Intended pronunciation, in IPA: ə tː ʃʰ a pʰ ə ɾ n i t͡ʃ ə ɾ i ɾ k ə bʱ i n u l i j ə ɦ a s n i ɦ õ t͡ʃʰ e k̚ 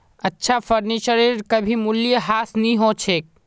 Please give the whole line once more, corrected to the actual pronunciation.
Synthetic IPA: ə tː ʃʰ a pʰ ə ɾ n i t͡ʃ ə ɾ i ɾ k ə bʱ i m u l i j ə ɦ a s n i ɦ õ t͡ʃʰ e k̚